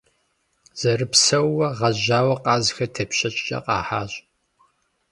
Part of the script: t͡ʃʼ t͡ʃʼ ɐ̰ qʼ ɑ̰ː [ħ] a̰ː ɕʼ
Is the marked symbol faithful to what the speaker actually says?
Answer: yes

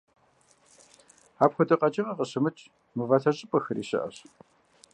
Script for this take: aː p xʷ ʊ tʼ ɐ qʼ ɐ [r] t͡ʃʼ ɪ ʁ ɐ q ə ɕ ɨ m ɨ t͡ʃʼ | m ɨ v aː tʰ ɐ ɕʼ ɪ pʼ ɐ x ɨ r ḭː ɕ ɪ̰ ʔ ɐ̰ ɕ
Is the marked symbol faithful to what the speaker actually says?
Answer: no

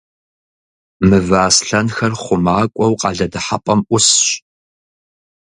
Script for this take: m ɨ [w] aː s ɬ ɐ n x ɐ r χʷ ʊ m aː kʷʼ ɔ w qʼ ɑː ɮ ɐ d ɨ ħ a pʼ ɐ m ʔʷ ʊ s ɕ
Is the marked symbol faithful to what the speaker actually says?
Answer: no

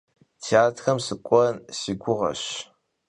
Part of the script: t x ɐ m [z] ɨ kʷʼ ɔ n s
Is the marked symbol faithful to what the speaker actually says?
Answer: no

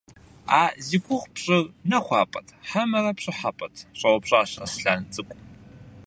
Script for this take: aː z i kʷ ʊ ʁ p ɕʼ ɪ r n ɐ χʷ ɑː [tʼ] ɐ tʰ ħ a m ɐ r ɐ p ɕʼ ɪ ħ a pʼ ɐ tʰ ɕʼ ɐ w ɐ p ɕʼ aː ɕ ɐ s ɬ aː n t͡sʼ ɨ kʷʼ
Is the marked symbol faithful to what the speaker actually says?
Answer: no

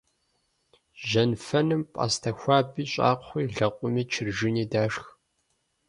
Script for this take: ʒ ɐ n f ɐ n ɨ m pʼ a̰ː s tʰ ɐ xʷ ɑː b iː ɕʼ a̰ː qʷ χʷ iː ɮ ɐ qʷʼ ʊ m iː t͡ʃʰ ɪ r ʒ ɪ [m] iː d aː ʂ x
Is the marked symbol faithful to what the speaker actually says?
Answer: no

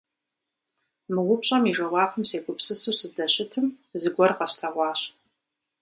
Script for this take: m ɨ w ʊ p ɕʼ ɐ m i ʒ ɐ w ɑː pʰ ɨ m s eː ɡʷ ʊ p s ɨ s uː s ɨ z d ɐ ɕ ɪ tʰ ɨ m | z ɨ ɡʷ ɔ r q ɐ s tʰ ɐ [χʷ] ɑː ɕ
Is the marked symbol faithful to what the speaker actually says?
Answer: no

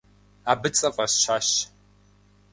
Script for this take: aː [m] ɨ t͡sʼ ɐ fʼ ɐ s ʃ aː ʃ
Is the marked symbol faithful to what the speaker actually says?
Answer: no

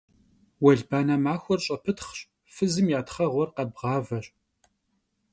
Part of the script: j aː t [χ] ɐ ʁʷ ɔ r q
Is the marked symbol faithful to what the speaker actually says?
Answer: yes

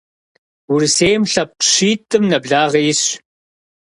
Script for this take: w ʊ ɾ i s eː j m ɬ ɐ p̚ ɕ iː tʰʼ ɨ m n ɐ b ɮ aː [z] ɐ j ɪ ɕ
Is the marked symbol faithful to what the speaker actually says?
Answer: no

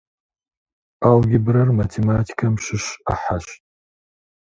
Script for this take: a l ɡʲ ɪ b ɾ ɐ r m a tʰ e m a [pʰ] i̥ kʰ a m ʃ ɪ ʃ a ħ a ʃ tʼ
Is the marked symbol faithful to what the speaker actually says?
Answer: no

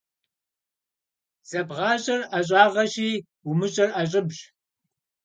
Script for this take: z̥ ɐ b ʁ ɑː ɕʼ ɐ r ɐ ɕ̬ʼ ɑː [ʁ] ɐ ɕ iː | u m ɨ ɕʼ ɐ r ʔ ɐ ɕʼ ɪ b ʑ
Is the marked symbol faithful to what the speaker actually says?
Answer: yes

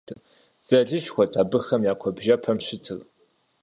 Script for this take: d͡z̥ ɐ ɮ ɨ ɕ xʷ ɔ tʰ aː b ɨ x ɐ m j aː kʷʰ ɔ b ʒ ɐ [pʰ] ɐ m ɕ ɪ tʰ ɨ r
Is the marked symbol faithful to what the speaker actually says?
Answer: yes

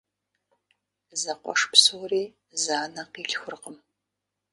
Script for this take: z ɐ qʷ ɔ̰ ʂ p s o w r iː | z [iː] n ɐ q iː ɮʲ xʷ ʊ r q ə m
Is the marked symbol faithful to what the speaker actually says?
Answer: no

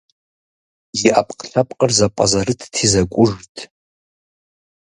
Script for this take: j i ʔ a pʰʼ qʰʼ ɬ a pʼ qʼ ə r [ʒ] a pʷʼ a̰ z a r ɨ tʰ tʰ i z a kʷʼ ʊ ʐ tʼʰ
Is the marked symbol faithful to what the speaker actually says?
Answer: no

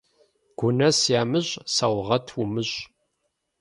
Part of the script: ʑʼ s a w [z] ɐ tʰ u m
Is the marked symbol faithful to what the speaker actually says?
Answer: no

